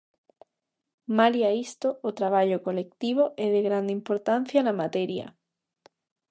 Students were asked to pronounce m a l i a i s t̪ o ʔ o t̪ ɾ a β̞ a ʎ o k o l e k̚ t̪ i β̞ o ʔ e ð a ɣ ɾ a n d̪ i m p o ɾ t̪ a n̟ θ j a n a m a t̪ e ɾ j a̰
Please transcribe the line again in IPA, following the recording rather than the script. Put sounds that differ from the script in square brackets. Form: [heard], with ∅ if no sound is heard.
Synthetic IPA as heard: m a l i a i s t̪ o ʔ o t̪ ɾ a β̞ a ʎ o k o l e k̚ t̪ i β̞ o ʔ e ð [e] ɣ ɾ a n d̪ i m p o ɾ t̪ a n̟ θ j a n a m a t̪ e ɾ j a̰